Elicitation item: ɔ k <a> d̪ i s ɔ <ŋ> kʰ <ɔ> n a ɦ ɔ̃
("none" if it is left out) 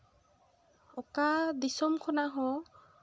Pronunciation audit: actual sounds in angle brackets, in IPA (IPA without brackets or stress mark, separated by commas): a, m, ɔ